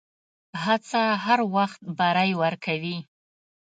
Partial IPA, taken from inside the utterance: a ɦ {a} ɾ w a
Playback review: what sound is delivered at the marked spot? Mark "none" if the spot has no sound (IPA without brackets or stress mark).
a